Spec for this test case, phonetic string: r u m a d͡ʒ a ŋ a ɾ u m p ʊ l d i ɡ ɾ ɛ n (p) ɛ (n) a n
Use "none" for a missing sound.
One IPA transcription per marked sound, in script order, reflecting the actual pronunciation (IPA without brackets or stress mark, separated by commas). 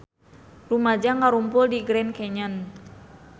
k, ɲ